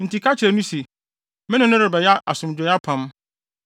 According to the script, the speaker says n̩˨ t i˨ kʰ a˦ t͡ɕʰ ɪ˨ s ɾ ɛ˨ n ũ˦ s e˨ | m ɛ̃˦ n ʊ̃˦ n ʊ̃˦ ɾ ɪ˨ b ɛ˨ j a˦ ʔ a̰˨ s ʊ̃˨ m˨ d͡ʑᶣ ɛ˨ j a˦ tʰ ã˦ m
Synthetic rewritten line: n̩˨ t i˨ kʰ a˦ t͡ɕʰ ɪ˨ ɾ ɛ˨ n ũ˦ s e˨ | m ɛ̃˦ n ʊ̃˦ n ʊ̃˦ ɾ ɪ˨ b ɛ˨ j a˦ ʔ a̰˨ s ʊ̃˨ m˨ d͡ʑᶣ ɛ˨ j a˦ pʰ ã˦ m